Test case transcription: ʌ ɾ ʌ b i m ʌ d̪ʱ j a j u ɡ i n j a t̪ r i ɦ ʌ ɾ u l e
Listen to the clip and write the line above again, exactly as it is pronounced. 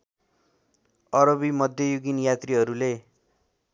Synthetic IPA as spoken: ʌ ɾ ʌ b i m ʌ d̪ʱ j ʌ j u ɡ i n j a t̪ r i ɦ ʌ ɾ u l e